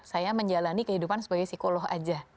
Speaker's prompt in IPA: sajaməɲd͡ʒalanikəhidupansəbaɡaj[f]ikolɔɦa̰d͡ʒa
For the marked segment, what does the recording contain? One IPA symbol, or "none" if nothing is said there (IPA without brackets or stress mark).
s